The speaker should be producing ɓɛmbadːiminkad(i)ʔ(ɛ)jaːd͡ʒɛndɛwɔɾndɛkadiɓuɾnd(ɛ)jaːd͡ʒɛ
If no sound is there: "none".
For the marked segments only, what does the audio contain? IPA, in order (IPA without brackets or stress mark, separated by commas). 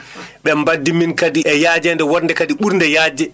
i, ɛ, ɛ